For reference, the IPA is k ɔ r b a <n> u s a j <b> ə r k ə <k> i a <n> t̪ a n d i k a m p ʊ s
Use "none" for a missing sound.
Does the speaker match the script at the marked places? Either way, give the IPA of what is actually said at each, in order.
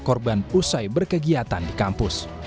n, b, ɡ, none

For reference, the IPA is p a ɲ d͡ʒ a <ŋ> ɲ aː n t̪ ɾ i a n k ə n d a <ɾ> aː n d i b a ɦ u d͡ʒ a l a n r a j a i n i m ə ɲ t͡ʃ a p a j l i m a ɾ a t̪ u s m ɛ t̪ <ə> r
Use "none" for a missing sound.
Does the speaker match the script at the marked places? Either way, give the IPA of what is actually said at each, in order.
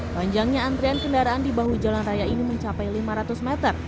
ŋ, ɾ, ə

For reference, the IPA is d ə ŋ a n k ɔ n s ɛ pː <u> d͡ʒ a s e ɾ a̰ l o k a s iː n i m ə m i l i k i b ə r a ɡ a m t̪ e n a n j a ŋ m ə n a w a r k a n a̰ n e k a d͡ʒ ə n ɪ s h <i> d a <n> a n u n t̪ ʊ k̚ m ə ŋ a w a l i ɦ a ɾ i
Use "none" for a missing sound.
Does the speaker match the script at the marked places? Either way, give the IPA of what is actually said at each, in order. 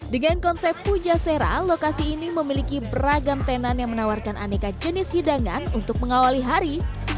u, i, ŋ

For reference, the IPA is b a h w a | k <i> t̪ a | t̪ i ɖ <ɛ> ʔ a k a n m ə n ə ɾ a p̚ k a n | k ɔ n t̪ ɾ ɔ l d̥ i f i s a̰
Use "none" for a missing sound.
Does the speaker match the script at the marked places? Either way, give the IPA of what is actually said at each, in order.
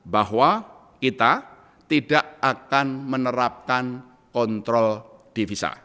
i, a

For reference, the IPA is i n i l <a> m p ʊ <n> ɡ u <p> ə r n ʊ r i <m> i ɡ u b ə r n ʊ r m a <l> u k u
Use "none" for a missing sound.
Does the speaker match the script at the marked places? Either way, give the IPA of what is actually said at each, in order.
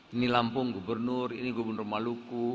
a, ŋ, b, n, l

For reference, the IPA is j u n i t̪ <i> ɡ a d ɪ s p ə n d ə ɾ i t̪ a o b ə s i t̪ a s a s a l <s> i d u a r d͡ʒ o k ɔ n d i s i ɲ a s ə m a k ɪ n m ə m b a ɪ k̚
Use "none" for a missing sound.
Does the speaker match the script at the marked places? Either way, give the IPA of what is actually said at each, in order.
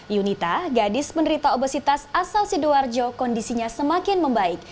a, s

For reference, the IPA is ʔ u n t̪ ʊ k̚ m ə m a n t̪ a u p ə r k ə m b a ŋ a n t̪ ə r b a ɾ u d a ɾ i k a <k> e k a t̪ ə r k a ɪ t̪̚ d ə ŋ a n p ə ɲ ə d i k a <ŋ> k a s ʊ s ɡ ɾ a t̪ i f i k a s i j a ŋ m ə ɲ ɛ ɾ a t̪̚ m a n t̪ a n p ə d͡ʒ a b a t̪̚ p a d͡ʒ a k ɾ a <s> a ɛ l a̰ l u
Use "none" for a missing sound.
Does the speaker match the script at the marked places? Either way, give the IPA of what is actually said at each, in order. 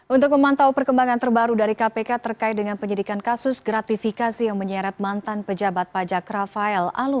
p, n, f

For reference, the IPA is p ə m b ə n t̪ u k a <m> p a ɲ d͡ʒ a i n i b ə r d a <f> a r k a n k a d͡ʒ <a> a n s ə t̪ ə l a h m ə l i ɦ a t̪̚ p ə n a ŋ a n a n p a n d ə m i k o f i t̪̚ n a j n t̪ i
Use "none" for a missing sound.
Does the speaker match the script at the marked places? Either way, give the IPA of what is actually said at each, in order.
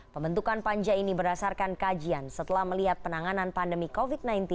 n, s, i

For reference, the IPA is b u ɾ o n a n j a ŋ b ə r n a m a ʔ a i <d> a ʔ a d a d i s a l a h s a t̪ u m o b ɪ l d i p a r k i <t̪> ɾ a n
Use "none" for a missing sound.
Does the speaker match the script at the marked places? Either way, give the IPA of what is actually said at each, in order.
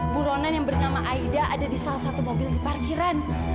d, none

